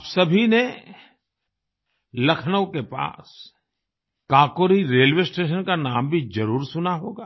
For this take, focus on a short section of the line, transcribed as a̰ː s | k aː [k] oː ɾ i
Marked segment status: correct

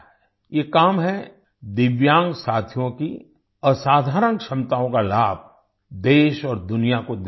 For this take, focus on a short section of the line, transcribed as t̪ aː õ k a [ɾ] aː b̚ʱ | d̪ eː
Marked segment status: incorrect: l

